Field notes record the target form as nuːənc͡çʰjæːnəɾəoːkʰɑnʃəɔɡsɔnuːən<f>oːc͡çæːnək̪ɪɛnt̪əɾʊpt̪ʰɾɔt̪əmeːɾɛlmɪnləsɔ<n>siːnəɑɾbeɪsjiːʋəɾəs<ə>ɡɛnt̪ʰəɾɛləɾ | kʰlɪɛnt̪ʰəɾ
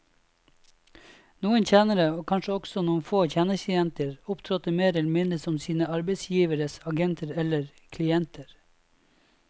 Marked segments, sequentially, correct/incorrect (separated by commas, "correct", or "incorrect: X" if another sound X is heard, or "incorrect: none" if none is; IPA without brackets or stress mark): correct, incorrect: m, incorrect: ɑ